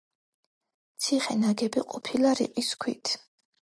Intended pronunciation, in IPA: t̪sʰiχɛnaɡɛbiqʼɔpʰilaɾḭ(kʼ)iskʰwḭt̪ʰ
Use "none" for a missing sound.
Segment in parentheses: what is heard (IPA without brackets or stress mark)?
qʼ